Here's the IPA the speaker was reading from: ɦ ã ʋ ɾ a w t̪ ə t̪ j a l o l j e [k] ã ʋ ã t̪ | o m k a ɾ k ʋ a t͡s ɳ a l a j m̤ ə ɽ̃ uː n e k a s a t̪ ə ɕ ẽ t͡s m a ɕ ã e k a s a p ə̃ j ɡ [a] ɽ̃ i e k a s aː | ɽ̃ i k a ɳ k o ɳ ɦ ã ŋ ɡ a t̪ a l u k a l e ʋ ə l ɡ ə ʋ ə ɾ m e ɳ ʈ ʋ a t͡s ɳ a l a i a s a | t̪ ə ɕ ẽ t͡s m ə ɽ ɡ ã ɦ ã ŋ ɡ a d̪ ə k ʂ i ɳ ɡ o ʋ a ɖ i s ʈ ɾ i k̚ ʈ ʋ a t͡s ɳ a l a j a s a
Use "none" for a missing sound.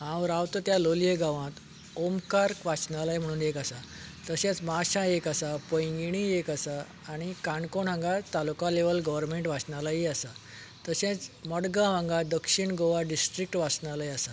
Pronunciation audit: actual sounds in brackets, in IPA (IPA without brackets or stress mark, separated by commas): ɡ, i